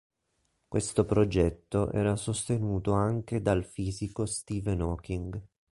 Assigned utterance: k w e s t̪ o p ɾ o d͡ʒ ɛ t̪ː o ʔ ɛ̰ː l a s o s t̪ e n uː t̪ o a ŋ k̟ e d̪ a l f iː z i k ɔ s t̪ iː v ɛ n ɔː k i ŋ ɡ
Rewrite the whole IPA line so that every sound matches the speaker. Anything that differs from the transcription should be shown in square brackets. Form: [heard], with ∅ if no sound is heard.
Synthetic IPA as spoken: k w e s t̪ o p ɾ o d͡ʒ ɛ t̪ː o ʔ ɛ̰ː [ɾ] a s o s t̪ e n uː t̪ o a ŋ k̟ e d̪ a l f iː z i k [o] s t̪ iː v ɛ n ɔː k i ŋ ɡ